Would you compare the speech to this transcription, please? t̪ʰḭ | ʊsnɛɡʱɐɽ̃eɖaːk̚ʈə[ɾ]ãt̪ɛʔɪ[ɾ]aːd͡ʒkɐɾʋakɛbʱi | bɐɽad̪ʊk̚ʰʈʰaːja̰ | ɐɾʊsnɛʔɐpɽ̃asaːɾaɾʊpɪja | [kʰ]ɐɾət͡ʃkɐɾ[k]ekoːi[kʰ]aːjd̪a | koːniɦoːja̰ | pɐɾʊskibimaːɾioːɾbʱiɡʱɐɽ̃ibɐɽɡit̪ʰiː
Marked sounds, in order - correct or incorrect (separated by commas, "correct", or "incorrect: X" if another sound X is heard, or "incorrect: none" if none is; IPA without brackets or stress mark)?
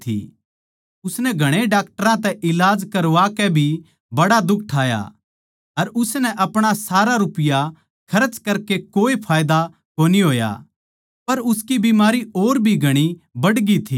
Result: correct, incorrect: l, correct, correct, incorrect: pʰ